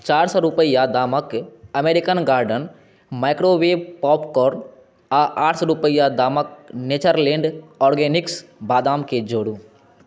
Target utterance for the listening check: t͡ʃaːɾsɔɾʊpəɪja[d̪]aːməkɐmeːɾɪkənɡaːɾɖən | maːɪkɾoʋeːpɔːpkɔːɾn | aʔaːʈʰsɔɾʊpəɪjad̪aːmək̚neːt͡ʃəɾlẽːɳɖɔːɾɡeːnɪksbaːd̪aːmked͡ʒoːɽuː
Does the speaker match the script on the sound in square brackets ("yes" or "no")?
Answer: yes